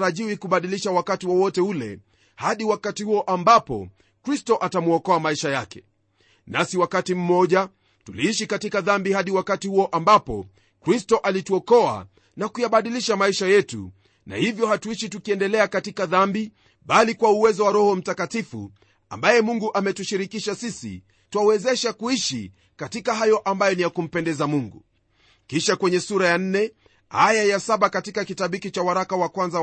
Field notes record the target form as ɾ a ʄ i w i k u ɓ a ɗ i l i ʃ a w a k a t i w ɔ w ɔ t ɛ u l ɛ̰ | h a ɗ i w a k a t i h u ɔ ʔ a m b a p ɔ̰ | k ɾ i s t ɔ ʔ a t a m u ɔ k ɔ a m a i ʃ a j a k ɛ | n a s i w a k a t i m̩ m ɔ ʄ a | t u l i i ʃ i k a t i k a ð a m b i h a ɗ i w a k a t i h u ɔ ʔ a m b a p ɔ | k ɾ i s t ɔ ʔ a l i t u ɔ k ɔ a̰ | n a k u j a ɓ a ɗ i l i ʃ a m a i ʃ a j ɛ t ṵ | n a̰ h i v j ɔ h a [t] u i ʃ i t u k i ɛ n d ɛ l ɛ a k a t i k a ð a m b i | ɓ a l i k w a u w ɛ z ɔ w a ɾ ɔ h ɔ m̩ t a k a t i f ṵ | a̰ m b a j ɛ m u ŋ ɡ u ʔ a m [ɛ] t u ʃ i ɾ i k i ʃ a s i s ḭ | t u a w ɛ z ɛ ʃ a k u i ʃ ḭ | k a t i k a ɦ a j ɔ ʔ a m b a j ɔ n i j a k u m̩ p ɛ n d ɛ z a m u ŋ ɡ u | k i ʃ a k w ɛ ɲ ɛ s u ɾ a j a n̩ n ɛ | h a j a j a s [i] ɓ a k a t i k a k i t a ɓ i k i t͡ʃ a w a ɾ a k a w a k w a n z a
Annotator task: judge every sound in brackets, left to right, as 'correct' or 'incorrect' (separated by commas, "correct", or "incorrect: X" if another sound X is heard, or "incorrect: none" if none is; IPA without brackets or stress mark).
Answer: correct, correct, incorrect: a